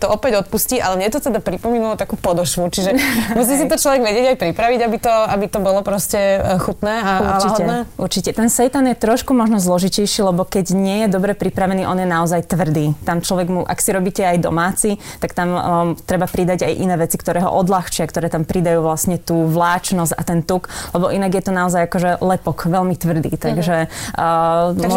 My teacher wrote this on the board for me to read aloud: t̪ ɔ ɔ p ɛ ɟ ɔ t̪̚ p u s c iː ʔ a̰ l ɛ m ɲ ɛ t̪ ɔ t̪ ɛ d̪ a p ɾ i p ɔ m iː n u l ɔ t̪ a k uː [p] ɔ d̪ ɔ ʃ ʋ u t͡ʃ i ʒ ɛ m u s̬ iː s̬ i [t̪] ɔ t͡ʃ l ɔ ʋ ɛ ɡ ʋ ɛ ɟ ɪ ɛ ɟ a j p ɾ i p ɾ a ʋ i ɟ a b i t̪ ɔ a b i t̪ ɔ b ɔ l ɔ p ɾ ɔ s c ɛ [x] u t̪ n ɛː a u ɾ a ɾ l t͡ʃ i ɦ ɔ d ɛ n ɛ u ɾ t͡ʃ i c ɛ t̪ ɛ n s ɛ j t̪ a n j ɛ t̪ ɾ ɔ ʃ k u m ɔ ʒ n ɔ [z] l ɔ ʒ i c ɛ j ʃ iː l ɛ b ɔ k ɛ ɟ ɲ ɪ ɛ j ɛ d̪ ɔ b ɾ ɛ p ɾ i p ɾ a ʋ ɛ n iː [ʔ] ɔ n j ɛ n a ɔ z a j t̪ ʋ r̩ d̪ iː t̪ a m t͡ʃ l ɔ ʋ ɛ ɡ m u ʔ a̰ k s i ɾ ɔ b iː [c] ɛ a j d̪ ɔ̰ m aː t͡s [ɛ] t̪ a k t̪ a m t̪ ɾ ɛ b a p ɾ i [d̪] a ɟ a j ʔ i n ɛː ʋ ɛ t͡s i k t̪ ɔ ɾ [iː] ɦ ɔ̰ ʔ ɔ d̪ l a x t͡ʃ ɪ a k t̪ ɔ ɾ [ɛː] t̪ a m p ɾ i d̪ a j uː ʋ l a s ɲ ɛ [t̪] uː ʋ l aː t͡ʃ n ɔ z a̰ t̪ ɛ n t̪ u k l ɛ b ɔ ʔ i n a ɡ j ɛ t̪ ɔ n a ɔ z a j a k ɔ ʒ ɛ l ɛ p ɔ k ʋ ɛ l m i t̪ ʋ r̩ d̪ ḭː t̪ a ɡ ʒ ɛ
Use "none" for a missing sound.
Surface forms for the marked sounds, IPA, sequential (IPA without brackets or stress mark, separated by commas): p, t̪, x, z, ʔ, c, i, d̪, ɛː, ɛː, t̪